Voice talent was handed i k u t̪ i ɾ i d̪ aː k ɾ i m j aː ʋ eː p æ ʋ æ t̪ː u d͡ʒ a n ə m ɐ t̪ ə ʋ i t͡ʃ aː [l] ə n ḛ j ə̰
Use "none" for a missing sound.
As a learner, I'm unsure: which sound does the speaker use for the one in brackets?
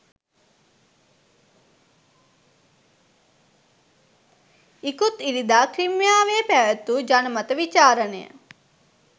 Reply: ɾ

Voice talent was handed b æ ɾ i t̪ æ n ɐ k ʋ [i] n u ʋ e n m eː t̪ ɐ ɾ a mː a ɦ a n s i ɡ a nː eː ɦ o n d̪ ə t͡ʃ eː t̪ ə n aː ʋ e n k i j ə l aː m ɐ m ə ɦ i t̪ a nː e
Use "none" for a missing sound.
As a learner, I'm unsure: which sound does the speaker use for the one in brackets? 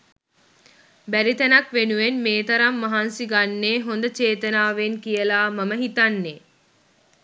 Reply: e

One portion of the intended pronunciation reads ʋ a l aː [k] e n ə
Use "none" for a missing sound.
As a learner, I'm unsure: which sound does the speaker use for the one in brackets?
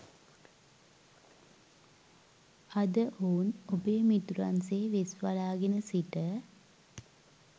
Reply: ɡ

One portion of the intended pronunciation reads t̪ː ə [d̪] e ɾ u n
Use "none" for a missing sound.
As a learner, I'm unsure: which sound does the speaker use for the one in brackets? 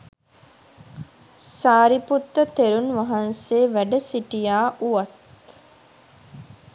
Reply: t̪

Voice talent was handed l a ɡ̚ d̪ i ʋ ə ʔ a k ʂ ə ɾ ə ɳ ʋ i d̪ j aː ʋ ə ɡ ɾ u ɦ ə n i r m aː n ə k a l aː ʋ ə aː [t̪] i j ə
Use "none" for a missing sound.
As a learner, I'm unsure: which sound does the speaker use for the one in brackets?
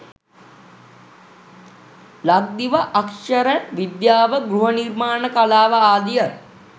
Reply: d̪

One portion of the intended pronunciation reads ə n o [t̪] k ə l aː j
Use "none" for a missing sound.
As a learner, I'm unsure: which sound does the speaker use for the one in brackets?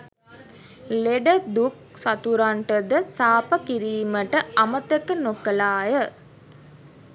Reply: none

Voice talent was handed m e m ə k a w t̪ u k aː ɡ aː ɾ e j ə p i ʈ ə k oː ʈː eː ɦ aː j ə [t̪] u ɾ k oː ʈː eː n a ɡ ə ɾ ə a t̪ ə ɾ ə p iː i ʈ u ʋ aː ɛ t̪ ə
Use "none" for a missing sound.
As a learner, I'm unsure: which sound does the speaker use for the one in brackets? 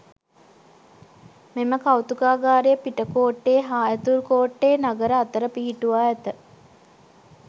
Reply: t̪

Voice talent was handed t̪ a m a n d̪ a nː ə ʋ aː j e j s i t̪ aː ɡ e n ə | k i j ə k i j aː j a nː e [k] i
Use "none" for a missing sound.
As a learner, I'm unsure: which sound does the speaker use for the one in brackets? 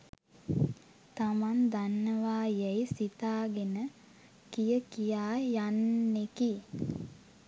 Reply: k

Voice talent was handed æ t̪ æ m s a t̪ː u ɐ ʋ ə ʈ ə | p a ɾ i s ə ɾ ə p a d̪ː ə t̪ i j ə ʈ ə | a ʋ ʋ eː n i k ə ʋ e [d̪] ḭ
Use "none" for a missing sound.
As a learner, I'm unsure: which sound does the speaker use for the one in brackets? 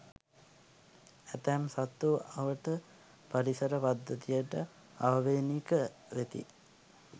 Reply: t̪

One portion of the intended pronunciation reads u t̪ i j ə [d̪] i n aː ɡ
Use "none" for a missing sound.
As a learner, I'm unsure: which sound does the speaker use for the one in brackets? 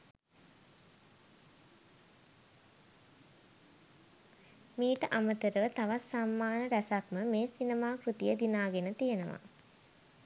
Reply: d̪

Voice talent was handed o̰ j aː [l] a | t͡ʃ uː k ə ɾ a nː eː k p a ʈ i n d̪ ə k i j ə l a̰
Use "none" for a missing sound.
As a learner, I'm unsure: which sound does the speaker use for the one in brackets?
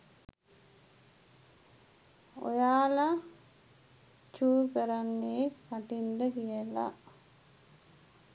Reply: l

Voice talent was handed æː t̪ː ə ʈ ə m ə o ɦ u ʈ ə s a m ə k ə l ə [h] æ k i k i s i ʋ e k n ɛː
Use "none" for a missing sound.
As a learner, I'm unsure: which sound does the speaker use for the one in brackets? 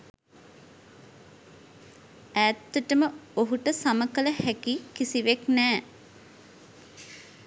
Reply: h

